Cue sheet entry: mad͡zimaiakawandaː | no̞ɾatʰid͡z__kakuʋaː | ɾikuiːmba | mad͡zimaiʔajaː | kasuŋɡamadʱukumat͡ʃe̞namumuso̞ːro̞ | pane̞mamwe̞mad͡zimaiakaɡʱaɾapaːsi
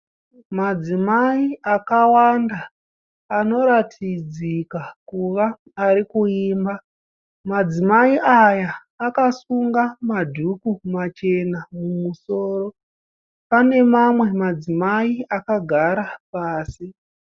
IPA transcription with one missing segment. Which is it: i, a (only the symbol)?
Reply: i